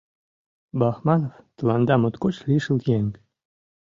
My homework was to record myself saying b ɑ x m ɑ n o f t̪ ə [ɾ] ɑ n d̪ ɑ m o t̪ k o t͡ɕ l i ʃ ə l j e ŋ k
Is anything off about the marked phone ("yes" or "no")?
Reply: yes